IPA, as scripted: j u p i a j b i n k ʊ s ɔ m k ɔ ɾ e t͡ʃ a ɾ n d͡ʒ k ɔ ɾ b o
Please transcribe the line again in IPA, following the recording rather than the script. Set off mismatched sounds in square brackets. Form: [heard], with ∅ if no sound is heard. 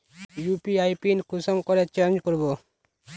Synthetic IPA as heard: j u p i a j [p] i n k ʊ s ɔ m k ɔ ɾ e t͡ʃ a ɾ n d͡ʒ k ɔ ɾ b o